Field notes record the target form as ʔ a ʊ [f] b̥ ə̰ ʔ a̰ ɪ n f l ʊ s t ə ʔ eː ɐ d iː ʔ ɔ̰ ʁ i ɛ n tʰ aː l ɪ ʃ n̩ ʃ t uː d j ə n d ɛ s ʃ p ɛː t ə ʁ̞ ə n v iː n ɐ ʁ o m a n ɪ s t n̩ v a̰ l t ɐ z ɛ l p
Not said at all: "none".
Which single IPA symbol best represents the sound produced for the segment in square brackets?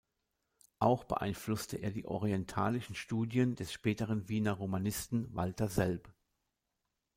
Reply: x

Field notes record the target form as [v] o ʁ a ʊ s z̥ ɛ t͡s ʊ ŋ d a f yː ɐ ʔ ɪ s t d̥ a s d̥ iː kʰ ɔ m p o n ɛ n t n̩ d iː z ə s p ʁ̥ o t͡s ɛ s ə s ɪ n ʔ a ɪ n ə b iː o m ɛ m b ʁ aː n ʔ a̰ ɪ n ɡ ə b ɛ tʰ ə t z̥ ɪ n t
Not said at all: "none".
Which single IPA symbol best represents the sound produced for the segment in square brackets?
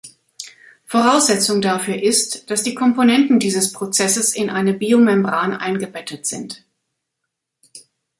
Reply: f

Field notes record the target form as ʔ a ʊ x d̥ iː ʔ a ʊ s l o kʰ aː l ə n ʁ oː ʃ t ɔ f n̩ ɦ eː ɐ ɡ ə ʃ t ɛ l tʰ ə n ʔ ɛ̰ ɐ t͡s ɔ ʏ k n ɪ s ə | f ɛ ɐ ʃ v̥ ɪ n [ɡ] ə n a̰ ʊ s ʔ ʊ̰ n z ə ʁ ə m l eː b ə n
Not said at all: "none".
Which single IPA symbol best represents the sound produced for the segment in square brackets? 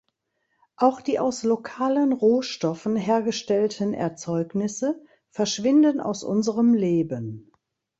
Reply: d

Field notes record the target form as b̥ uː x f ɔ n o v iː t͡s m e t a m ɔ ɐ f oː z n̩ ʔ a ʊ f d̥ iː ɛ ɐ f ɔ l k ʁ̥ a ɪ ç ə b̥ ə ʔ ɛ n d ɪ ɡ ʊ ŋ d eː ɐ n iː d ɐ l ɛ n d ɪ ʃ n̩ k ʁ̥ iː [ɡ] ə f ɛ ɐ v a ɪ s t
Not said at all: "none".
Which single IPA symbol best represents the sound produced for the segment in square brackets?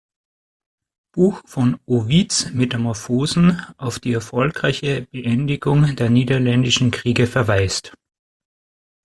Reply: ɡ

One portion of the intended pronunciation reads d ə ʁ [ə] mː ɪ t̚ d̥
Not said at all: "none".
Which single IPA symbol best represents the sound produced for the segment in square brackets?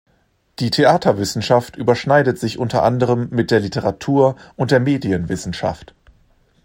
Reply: ə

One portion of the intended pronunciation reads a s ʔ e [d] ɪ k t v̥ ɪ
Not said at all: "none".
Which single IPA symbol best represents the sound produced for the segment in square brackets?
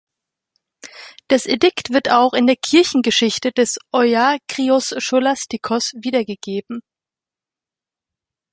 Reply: d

